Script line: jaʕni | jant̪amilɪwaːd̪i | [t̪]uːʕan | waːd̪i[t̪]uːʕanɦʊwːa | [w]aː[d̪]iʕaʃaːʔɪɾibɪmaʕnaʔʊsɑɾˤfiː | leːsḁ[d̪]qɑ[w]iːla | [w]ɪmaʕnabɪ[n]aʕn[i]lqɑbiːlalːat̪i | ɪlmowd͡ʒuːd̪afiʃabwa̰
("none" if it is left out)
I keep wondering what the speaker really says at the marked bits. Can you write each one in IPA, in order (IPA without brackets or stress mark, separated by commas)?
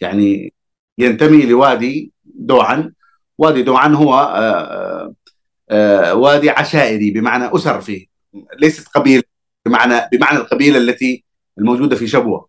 d̪, d̪, w, d̪, t̪, b, b, m, a